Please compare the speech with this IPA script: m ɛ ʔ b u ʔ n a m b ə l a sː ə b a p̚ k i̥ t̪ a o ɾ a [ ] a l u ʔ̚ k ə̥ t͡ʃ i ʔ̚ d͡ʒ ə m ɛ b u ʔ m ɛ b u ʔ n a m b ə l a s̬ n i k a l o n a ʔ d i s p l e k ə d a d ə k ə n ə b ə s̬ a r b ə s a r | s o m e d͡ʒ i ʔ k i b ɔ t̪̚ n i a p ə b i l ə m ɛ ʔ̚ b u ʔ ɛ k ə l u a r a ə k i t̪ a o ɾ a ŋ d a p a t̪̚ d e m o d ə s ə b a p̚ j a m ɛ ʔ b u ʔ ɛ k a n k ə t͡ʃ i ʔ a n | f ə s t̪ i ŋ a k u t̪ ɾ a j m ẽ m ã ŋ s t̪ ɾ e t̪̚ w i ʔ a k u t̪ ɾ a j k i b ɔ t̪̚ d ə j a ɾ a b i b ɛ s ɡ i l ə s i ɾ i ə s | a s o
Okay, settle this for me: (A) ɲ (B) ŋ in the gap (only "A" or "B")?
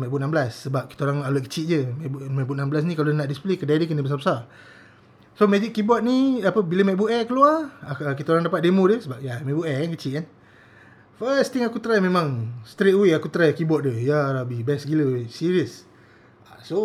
B